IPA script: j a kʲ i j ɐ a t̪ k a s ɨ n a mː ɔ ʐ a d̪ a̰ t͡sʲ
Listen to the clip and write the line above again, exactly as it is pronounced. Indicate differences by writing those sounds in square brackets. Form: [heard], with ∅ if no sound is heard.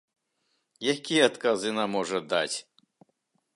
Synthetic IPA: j a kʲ i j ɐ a t̪ k a [z] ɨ n a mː ɔ ʐ [ɐ] d̪ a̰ t͡sʲ